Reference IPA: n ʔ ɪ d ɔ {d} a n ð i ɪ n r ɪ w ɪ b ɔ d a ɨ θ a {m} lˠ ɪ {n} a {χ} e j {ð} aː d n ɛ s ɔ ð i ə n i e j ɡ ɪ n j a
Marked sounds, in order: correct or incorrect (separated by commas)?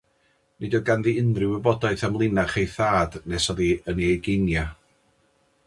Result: incorrect, correct, correct, correct, incorrect